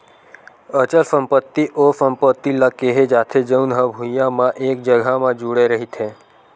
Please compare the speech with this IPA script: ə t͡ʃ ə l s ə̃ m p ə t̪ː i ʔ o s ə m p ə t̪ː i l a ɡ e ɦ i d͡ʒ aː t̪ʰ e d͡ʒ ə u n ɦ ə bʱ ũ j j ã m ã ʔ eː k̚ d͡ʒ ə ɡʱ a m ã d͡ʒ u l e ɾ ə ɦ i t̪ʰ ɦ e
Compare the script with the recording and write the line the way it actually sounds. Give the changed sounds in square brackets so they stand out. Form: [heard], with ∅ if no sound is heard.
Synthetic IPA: ə t͡ʃ ə l s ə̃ m p ə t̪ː i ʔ o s ə m p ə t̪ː i l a [k] e ɦ [e] d͡ʒ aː t̪ʰ e d͡ʒ ə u n ɦ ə bʱ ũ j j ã m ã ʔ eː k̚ d͡ʒ ə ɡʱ a m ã d͡ʒ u [ɽ] e ɾ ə ɦ i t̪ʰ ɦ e

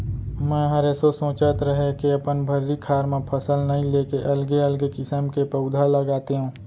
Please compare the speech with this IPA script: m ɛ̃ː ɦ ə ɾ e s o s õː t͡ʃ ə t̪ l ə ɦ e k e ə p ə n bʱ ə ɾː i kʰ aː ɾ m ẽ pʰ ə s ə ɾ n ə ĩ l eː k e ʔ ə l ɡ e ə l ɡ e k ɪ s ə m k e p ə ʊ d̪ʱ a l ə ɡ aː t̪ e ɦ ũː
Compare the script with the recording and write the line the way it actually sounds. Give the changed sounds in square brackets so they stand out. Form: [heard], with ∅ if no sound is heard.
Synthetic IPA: m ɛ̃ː ɦ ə ɾ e s o s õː t͡ʃ ə t̪ [ɾ] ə ɦ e k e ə p ə n bʱ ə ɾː i kʰ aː ɾ m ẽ pʰ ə s ə [l] n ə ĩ l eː k e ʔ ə l ɡ e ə l ɡ e k ɪ s ə m k e p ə ʊ d̪ʱ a l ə ɡ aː t̪ e ɦ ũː

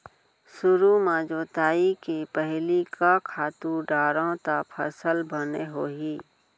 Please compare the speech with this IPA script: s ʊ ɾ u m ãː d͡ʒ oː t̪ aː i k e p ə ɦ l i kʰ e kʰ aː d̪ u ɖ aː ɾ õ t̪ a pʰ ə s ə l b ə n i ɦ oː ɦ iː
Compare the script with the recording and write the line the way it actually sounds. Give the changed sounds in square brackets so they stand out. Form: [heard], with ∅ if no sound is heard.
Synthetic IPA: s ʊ ɾ u m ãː d͡ʒ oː t̪ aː i k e p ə ɦ l i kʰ [a] kʰ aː [t̪] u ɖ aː ɾ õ t̪ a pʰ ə s ə l b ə n [e] ɦ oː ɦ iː

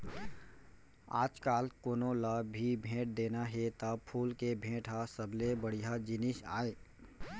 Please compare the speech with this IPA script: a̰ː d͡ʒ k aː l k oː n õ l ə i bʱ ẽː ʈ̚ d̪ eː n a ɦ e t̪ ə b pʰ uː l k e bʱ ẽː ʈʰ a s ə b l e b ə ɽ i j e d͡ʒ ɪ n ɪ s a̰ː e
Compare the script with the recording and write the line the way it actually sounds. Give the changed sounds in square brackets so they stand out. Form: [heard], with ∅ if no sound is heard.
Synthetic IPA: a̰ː d͡ʒ k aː l k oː n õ l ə i bʱ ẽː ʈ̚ d̪ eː n a ɦ e t̪ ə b pʰ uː l k e bʱ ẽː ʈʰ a s ə b l e b ə ɽ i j [a] d͡ʒ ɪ n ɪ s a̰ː e

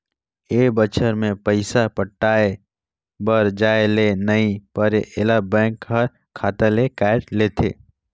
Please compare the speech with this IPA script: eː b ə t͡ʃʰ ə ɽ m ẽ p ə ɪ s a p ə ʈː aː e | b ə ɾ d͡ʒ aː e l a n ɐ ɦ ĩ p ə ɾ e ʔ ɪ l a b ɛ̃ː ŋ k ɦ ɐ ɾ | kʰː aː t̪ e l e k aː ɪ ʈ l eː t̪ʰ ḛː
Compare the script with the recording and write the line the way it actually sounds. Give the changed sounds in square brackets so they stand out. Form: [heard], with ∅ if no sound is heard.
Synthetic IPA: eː b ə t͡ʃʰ ə [ɾ] m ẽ p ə ɪ s a p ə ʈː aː e | b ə ɾ d͡ʒ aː e l [e] n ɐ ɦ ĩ p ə ɾ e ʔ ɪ l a b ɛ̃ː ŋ k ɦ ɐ ɾ | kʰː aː t̪ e l e k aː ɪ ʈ l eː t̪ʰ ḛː

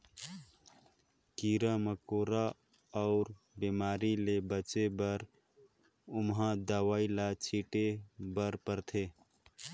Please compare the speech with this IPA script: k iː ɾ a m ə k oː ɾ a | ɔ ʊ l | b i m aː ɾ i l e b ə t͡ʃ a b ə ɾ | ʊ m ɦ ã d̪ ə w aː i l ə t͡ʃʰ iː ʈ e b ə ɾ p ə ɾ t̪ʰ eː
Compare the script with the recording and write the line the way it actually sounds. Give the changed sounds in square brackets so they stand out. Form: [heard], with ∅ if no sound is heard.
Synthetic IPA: k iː ɾ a m ə k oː ɾ a | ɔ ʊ [ɾ] | b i m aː ɾ i l e b ə t͡ʃ [e] b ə ɾ | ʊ m ɦ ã d̪ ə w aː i l [a] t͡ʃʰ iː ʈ e b ə ɾ p ə ɾ t̪ʰ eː

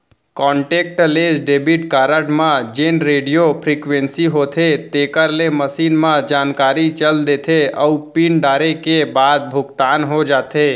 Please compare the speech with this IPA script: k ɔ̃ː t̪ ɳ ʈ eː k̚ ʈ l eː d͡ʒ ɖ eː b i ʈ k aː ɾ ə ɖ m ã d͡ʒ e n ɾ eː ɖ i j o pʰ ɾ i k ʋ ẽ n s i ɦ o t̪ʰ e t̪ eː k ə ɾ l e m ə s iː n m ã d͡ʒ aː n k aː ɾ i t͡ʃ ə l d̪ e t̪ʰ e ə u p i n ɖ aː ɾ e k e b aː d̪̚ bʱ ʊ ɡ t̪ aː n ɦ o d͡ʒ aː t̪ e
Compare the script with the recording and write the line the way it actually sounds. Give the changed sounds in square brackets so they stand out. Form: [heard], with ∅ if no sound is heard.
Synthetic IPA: k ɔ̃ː [∅] ɳ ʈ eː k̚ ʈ l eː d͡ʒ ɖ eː b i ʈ k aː ɾ ə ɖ m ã d͡ʒ e n ɾ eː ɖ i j o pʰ ɾ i k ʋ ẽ n s i ɦ o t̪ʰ e t̪ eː k ə ɾ l e m ə s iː n m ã d͡ʒ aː n k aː ɾ i t͡ʃ ə l d̪ e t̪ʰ e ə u p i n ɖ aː ɾ e k e b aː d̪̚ bʱ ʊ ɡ t̪ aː n ɦ o d͡ʒ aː t̪ e

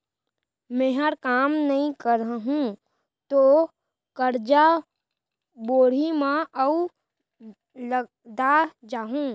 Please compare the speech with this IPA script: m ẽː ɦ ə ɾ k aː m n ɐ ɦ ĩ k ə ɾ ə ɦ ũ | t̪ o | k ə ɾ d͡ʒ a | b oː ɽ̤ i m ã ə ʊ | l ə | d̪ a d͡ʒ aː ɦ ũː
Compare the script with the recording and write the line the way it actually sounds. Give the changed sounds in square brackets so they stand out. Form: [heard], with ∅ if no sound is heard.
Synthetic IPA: m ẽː ɦ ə ɾ k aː m n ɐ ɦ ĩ k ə ɾ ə ɦ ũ | t̪ o | k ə ɾ d͡ʒ a | b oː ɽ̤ i m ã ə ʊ | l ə | d̪ a d͡ʒ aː ɦ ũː

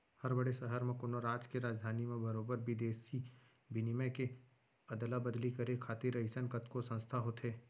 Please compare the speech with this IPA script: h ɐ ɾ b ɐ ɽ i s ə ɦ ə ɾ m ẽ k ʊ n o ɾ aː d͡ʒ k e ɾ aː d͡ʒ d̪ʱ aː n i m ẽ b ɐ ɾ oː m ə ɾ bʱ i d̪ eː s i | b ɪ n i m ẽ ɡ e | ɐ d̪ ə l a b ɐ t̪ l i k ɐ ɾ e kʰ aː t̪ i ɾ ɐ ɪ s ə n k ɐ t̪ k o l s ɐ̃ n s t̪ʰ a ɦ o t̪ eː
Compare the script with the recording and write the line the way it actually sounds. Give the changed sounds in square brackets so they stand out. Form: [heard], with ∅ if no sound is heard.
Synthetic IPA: h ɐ ɾ b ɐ ɽ [e] s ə ɦ ə ɾ m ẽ k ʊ n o ɾ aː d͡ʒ k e ɾ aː d͡ʒ d̪ʱ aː n i m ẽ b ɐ ɾ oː [b] ə ɾ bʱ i d̪ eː s i | b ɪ n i m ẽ [k] e | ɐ d̪ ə l a b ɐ [d̪] l i k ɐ ɾ e kʰ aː t̪ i ɾ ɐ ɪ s ə n k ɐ t̪ k o [∅] s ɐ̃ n s t̪ʰ a ɦ o t̪ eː

